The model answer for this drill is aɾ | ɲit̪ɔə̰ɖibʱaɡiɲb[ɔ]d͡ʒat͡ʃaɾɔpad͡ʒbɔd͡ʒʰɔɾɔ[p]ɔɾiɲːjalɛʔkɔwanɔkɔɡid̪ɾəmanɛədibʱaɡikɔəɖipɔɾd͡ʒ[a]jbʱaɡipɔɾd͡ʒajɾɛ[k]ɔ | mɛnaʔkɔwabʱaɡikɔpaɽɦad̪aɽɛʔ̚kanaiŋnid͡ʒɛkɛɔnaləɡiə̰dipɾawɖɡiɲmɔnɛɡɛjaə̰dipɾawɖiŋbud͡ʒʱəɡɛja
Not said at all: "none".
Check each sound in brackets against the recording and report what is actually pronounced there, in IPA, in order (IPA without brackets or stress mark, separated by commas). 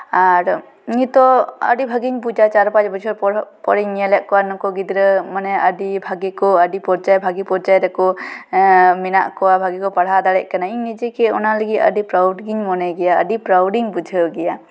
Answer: u, p, a, k